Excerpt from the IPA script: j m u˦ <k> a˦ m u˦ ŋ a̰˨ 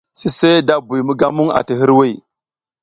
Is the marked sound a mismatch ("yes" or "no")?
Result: yes